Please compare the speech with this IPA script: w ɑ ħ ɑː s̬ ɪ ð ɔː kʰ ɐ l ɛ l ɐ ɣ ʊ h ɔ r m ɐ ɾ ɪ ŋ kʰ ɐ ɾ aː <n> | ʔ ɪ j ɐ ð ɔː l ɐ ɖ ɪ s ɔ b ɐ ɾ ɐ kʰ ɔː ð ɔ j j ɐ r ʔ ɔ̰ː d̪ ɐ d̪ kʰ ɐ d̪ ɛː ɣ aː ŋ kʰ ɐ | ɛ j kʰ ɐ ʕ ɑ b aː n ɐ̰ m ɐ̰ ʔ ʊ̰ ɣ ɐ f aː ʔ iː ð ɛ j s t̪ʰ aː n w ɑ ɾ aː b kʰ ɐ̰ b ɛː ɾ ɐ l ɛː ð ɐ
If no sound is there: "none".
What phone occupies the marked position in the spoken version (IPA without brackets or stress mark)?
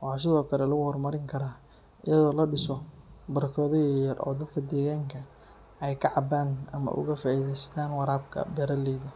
none